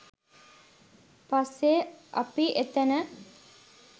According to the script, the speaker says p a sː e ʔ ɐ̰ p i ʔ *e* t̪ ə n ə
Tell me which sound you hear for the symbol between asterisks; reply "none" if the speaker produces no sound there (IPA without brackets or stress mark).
e